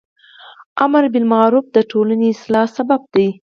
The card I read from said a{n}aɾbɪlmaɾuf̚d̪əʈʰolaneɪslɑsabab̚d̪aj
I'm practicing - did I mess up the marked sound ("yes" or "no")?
yes